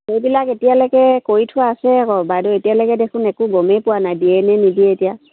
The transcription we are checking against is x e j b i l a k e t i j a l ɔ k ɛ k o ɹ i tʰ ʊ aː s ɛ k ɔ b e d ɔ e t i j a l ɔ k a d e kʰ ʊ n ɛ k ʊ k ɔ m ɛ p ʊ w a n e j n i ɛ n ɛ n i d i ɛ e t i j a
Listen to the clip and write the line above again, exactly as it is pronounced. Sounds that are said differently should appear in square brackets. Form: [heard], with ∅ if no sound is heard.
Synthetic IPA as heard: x e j b i l a k e t i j a l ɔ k ɛ k o ɹ i tʰ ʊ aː s ɛ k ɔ b [a] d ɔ e t i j a l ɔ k [ɛ] d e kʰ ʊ n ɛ k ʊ [ɡ] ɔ m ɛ p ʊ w a n [a] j [d] i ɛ n ɛ n i d i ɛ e t i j a